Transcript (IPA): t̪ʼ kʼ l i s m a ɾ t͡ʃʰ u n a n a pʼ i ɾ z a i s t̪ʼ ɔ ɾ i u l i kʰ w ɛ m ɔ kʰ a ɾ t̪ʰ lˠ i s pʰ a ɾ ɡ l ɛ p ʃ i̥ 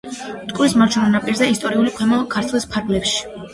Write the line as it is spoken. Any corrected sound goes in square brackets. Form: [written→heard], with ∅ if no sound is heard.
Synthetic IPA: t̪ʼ kʼ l i s m a ɾ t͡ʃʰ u n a n a pʼ i ɾ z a i s t̪ʼ ɔ ɾ i u l i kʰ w ɛ m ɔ kʰ a ɾ t̪ʰ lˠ i s pʰ a ɾ ɡ l ɛ p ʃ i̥